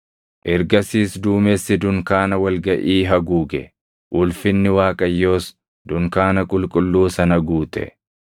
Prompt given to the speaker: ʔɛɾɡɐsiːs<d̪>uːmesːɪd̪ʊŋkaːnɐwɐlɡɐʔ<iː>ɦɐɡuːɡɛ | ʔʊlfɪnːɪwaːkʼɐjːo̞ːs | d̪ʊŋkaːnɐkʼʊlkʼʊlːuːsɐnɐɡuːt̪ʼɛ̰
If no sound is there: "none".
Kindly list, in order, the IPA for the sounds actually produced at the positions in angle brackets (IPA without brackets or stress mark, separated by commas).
d̪, iː